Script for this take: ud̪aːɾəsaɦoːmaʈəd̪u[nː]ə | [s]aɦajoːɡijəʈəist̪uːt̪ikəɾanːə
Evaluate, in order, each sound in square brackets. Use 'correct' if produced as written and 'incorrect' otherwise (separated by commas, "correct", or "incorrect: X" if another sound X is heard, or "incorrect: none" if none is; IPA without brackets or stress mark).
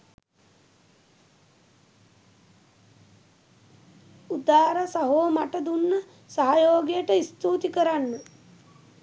correct, correct